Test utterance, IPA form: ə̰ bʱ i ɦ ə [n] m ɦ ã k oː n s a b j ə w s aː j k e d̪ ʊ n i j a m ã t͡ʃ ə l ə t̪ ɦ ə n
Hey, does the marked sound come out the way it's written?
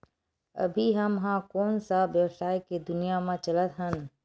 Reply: no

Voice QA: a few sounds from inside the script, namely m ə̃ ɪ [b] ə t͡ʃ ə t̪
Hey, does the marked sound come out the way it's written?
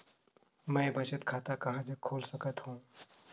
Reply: yes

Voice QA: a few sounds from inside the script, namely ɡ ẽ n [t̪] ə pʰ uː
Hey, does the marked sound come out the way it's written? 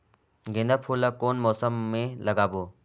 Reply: no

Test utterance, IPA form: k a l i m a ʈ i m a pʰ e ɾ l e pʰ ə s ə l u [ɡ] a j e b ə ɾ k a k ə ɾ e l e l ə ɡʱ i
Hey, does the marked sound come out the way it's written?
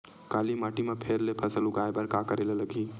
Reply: yes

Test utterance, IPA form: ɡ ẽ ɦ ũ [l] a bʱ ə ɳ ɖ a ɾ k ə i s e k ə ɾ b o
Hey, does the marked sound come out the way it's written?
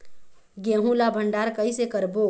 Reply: yes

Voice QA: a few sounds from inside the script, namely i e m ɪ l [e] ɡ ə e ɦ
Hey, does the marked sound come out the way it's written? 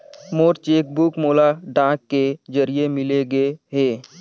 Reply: yes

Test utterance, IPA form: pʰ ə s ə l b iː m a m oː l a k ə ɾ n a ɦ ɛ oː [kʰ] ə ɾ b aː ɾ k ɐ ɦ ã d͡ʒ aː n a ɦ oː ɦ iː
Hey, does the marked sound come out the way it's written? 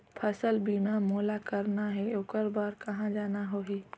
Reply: no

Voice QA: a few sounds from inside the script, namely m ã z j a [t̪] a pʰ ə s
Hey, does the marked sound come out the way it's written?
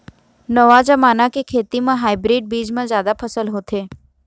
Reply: no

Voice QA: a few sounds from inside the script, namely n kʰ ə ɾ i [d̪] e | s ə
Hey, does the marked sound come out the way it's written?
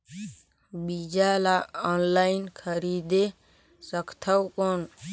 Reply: yes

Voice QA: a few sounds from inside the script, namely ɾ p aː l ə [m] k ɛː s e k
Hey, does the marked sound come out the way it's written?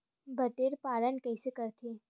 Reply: no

